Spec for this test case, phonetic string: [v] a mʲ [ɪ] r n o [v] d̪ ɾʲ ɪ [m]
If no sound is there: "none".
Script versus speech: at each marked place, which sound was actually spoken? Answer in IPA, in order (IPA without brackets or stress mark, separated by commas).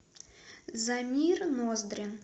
z, i, z, n